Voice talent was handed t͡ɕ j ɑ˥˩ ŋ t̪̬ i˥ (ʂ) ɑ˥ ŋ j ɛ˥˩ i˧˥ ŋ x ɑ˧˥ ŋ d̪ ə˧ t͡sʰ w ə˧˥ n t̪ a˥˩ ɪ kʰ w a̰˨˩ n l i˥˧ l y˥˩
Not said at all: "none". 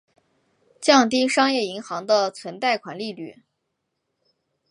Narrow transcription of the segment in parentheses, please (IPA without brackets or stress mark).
ʂ